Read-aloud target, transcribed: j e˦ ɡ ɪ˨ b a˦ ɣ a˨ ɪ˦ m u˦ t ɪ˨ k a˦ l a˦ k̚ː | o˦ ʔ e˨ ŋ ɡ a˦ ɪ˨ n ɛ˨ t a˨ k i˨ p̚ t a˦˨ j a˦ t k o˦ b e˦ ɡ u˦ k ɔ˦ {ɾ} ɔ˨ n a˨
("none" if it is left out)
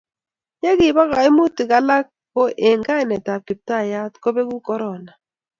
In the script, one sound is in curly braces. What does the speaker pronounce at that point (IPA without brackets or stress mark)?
ɾ